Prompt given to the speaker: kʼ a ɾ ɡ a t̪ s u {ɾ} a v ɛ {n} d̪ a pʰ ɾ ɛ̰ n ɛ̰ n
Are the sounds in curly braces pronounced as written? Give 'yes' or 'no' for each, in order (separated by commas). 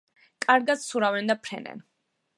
yes, yes